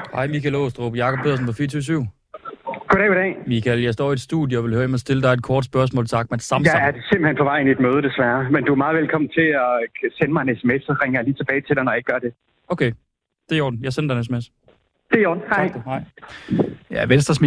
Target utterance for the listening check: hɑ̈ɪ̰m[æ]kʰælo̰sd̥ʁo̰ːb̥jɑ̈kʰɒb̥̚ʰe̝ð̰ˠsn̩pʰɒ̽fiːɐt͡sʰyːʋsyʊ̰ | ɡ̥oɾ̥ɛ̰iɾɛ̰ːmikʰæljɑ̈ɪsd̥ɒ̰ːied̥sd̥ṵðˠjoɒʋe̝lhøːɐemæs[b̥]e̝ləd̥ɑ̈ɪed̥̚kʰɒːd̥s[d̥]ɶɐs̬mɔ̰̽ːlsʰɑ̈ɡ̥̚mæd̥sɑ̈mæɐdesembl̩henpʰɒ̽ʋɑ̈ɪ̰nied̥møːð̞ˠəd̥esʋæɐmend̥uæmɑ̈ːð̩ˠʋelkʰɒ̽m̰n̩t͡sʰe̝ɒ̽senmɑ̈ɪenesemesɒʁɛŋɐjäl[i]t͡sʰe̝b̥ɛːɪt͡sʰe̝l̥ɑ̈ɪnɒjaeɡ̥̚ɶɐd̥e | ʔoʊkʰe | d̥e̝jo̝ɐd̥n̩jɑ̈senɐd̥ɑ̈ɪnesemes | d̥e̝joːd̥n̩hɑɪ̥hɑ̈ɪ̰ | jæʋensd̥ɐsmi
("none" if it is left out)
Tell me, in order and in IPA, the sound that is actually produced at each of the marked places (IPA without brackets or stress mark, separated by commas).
i, d̥, b̥, iː